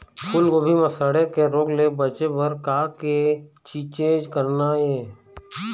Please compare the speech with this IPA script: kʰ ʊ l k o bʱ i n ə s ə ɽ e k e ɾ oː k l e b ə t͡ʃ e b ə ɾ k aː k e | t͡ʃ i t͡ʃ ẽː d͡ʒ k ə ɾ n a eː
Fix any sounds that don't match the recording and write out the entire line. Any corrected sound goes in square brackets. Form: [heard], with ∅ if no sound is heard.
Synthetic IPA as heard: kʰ ʊ l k o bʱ i [m] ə s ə ɽ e k e ɾ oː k l e b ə t͡ʃ e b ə ɾ k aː k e | t͡ʃ i t͡ʃ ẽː d͡ʒ k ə ɾ n a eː